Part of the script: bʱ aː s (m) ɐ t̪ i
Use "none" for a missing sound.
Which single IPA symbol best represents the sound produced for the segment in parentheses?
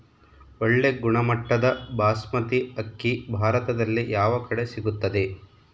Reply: m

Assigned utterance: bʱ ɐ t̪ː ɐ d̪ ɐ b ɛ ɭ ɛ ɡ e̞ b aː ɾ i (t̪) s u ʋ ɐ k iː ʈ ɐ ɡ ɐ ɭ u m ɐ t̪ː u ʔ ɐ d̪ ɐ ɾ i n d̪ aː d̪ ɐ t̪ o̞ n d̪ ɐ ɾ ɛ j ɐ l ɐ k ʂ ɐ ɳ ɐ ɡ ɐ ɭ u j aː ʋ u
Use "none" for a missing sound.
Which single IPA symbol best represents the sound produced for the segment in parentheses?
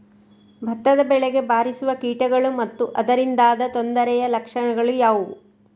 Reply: none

